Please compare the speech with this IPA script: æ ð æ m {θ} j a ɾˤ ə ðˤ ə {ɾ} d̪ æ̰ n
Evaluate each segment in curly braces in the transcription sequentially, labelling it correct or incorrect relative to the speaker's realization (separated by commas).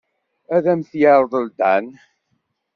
correct, incorrect